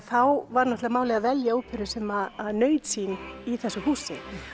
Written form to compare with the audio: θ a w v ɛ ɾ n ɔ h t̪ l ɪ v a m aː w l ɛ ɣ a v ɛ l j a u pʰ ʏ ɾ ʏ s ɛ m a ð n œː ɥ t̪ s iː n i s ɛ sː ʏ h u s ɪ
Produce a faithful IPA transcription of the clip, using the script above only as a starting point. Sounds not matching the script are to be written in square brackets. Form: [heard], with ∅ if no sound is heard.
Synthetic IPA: θ a w v [a] ɾ n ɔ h t̪ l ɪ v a m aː w l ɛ ɣ a v ɛ l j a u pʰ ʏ ɾ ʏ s ɛ m a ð n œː ɥ t̪ s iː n i [θ] ɛ sː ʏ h [uː] s ɪ